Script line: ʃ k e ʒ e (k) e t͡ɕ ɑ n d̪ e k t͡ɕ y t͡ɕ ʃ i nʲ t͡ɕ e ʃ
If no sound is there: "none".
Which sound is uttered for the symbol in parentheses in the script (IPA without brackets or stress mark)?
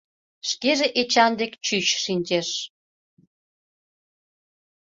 ʔ